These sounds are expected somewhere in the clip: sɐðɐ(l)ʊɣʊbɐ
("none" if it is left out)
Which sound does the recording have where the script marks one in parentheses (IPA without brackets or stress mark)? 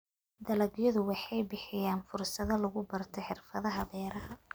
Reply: l